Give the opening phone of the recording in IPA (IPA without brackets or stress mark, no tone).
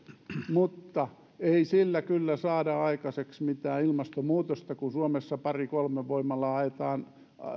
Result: m